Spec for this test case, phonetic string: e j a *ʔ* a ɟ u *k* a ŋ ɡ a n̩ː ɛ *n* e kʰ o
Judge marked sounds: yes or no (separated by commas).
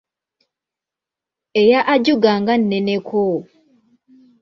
yes, no, yes